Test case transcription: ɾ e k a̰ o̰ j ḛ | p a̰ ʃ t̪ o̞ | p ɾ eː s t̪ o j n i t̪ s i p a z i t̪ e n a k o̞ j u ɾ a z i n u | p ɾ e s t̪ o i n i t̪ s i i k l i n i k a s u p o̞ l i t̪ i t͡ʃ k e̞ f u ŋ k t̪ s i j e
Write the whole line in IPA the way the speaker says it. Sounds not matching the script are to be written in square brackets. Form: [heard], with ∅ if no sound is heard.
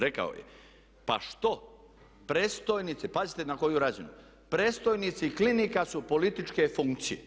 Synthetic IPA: ɾ e k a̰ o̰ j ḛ | p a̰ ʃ t̪ o̞ | p ɾ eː s t̪ o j n i t̪ s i p a z i t̪ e n a k o̞ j u ɾ a z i n u | p ɾ e s t̪ o [j] n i t̪ s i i k l i n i k a s u p o̞ l i t̪ i t͡ʃ k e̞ f u ŋ k t̪ s i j e